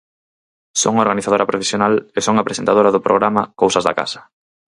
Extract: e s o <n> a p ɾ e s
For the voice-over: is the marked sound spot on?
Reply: no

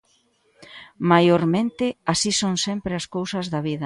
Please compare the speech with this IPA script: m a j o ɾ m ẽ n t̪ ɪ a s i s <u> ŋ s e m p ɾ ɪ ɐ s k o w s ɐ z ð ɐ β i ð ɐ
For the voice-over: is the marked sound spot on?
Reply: no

